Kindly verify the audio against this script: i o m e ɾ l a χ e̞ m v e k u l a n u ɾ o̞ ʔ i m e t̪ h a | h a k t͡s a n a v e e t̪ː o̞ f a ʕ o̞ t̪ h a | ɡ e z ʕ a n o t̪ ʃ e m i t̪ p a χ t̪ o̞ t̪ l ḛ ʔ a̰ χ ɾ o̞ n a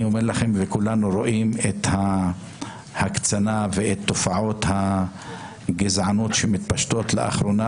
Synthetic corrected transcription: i o m e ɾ l a χ e̞ m v e k u l a n u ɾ o̞ ʔ i m e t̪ h a | h a k t͡s a n a v e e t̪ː o̞ f a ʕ o̞ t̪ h a | ɡ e z ʕ a n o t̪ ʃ e m i t̪ p a ʃ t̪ o̞ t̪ l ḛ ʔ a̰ χ ɾ o̞ n a